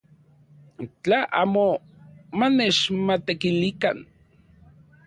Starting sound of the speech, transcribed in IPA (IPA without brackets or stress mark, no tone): t͡ɬ